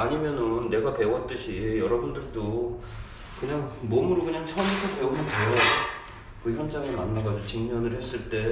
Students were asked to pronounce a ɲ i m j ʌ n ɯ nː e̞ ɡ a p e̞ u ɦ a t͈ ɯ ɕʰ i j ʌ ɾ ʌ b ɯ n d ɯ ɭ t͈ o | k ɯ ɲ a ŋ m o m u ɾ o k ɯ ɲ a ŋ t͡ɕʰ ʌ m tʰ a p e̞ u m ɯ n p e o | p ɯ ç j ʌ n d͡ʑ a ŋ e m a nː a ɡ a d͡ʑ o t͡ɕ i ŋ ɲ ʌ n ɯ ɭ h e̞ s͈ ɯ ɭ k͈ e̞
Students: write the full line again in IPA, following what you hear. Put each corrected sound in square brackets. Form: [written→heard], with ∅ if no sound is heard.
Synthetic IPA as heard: a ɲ i m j ʌ n ɯ nː e̞ ɡ a p e̞ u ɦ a t͈ ɯ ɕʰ i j ʌ ɾ ʌ b [ɯ→u] n d ɯ ɭ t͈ o | k ɯ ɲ a ŋ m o m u ɾ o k ɯ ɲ a ŋ t͡ɕʰ ʌ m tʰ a p e̞ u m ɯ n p e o | [p→k] ɯ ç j ʌ n d͡ʑ a ŋ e m a nː a ɡ a d͡ʑ o t͡ɕ i ŋ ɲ ʌ n ɯ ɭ h e̞ s͈ ɯ ɭ [k͈→t͈] e̞

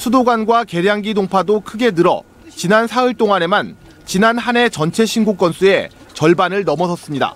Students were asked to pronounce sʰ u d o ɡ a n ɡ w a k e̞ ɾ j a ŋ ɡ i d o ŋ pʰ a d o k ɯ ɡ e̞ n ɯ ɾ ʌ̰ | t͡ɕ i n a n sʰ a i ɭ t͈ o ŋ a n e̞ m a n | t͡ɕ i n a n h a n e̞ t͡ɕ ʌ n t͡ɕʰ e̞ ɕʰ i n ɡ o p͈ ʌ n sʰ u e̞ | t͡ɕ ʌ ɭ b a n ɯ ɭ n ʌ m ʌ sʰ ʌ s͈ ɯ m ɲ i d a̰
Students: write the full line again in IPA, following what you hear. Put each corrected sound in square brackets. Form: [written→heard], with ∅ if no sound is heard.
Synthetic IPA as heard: sʰ u d o ɡ a n ɡ w a k e̞ ɾ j a ŋ ɡ i d o ŋ pʰ a d o [k→kʰ] ɯ ɡ e̞ n ɯ ɾ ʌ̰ | t͡ɕ i n a n sʰ a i ɭ t͈ o ŋ a n e̞ m a n | t͡ɕ i n a n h a n e̞ t͡ɕ ʌ n t͡ɕʰ e̞ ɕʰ i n ɡ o [p͈→k͈] ʌ n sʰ u e̞ | t͡ɕ ʌ ɭ b a n ɯ ɭ n ʌ m ʌ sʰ ʌ s͈ ɯ m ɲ i d a̰

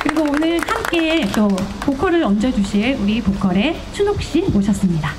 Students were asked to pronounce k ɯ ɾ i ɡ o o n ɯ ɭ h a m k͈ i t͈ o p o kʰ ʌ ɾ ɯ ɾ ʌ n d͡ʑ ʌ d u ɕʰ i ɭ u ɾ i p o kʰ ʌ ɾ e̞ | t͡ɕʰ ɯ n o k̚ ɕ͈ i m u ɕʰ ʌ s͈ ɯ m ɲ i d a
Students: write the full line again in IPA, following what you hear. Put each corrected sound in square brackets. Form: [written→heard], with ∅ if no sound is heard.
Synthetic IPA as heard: k ɯ ɾ i ɡ o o n ɯ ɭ h a m k͈ [i→e] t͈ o p o kʰ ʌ ɾ ɯ ɾ ʌ n d͡ʑ ʌ [d→d͡ʑ] u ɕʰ i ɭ u ɾ i p o kʰ ʌ ɾ e̞ | t͡ɕʰ [ɯ→u] n o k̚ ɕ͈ i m [u→o] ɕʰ ʌ s͈ ɯ m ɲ i d a

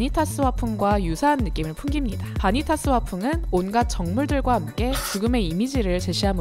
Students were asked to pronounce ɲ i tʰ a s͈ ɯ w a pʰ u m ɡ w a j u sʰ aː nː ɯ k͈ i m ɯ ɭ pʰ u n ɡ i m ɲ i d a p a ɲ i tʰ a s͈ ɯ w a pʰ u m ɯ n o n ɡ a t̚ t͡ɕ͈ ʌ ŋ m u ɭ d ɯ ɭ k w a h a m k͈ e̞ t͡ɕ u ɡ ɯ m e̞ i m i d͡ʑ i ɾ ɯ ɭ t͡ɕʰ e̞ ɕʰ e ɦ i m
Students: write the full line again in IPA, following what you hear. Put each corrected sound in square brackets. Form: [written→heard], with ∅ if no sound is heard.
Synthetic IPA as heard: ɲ i tʰ a s͈ ɯ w a pʰ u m ɡ w a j u sʰ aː nː ɯ k͈ i m ɯ ɭ pʰ u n ɡ i m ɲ i d a p a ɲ i tʰ a s͈ ɯ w a pʰ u [m→ŋ] ɯ n o n ɡ a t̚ t͡ɕ͈ ʌ ŋ m u ɭ d ɯ ɭ [k→ɡ] w a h a m k͈ e̞ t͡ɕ u ɡ ɯ m e̞ i m i d͡ʑ i ɾ ɯ ɭ [t͡ɕʰ→t͡ɕ] e̞ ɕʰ [e→i] ɦ [i→a] m

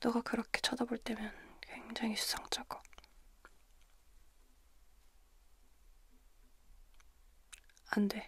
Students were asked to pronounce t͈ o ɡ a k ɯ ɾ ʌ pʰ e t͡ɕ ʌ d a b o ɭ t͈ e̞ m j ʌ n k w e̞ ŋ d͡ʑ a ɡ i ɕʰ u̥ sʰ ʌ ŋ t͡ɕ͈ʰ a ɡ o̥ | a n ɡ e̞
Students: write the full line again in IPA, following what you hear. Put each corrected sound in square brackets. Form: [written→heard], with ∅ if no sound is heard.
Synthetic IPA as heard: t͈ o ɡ a k ɯ ɾ ʌ [pʰ→kʰ] e [t͡ɕ→t͡ɕʰ] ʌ d a b o ɭ t͈ e̞ m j ʌ n k w e̞ ŋ d͡ʑ a [ɡ→ŋ] i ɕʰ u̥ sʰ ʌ ŋ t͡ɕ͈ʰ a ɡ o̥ | a n [ɡ→d] e̞

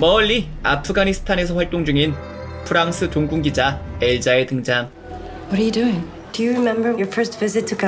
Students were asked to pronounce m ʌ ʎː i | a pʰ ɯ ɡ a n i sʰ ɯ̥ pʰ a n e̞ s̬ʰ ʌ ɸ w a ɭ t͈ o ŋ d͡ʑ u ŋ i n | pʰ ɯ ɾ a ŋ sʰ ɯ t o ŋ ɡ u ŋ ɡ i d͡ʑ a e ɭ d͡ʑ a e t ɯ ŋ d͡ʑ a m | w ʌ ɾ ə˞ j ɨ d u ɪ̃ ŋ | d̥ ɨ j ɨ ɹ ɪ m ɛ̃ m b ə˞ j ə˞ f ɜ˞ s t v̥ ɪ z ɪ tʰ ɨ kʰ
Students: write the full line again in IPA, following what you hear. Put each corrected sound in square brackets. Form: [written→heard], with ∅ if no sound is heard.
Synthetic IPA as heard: m ʌ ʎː i | a pʰ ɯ ɡ a n i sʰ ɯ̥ [pʰ→tʰ] a n e̞ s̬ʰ ʌ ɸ w a ɭ t͈ o ŋ d͡ʑ u ŋ i n | pʰ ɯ ɾ a ŋ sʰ ɯ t o ŋ ɡ u ŋ ɡ i d͡ʑ a e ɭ d͡ʑ a e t ɯ ŋ d͡ʑ a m | w ʌ ɾ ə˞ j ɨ d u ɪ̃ ŋ | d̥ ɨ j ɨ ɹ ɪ m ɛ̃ m b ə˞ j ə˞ f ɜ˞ s t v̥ ɪ z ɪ tʰ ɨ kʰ

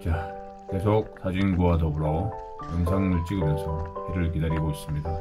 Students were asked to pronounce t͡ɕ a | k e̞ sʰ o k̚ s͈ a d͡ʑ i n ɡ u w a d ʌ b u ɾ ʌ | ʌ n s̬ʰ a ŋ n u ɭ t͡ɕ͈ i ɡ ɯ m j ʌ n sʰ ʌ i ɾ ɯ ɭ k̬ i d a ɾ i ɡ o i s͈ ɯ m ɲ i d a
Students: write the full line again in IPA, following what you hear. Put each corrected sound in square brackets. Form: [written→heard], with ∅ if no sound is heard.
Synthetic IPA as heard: t͡ɕ a | k e̞ sʰ o k̚ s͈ a d͡ʑ i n ɡ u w a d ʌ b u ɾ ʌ | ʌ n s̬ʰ a ŋ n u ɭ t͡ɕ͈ i ɡ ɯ m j ʌ n sʰ ʌ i ɾ ɯ ɭ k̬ i d a ɾ i ɡ o i s͈ ɯ m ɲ i d a

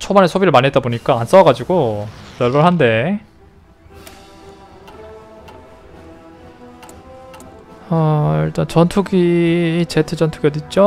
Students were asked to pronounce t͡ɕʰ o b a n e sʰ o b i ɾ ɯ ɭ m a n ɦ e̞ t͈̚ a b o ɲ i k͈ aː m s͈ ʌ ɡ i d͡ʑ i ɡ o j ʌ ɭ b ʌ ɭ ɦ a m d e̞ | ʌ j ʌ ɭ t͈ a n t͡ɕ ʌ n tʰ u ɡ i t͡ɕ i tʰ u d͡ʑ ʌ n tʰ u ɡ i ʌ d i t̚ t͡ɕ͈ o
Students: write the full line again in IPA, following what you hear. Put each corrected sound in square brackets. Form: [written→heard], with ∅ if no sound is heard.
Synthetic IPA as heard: t͡ɕʰ o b a n e sʰ o b i ɾ ɯ ɭ m a n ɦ e̞ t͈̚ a b o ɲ i k͈ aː [m→n] s͈ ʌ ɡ [i→a] d͡ʑ i ɡ o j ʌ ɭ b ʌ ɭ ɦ a [m→n] d e̞ | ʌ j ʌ ɭ t͈ a n t͡ɕ ʌ n tʰ u ɡ i t͡ɕ [i→e] tʰ [u→ɯ] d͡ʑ ʌ n tʰ u ɡ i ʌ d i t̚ t͡ɕ͈ o

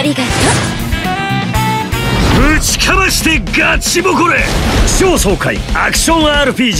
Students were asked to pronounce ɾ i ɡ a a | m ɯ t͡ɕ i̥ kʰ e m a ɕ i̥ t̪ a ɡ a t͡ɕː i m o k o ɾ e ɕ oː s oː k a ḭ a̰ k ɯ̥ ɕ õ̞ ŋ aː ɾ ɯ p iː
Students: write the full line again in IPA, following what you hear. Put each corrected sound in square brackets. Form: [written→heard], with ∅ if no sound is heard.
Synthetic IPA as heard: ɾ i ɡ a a | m ɯ t͡ɕ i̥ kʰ [e→a] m a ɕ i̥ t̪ [a→e] ɡ a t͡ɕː i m o k o ɾ e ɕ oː s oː k a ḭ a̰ k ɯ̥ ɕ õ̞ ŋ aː ɾ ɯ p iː

